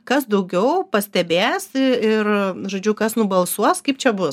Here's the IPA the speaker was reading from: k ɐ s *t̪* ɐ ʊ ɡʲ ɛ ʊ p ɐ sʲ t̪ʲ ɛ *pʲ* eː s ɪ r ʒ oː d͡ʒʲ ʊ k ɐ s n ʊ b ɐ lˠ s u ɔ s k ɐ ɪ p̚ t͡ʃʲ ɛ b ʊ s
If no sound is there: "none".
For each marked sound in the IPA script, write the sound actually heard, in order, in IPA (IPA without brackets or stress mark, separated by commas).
d̪, bʲ